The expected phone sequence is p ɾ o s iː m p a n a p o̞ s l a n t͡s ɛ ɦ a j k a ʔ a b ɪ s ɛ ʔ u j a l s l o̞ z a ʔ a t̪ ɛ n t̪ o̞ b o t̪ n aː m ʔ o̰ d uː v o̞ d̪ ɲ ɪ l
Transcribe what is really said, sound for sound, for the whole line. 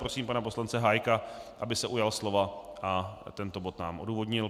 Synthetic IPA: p ɾ o s iː m p a n a p o̞ s l a n t͡s ɛ ɦ a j k a ʔ a b ɪ s ɛ ʔ u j a l s l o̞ v a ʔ a t̪ ɛ n t̪ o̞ b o t̪ n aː m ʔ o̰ d uː v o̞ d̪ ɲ ɪ l